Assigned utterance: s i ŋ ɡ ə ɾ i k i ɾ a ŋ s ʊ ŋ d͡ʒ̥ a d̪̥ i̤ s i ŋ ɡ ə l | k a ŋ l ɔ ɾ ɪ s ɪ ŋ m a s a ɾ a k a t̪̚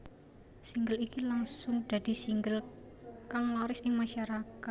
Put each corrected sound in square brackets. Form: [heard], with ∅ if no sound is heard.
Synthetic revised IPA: s i ŋ ɡ ə [l] i k i [l] a ŋ s ʊ ŋ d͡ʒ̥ a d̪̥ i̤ s i ŋ ɡ ə l | k a ŋ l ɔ ɾ ɪ s ɪ ŋ m a [ʃ] a ɾ a k a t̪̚